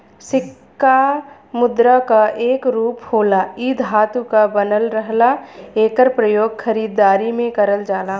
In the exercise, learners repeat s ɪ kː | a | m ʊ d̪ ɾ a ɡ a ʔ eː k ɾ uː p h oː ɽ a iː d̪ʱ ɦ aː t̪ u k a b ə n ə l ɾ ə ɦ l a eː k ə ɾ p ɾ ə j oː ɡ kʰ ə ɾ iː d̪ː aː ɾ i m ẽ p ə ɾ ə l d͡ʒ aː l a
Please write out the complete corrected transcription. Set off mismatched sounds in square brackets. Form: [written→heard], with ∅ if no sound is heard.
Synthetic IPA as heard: s ɪ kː | a | m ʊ d̪ ɾ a [ɡ→k] a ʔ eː k ɾ uː p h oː [ɽ→l] a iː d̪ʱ ɦ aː t̪ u k a b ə n ə l ɾ ə ɦ l a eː k ə ɾ p ɾ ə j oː ɡ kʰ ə ɾ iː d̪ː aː ɾ i m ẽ [p→k] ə ɾ ə l d͡ʒ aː l a